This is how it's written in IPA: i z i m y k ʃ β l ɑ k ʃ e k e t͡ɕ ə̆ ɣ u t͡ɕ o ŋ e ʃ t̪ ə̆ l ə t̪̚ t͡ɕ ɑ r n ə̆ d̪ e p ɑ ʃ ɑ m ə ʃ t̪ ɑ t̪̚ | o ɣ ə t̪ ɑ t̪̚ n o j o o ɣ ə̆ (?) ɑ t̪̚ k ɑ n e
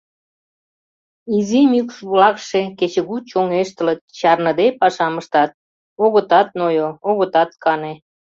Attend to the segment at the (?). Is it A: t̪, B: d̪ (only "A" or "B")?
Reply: A